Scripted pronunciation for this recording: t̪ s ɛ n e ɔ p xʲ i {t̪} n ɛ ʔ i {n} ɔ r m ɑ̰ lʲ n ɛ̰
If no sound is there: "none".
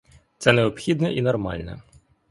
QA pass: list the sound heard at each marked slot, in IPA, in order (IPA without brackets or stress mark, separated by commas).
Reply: d̪, n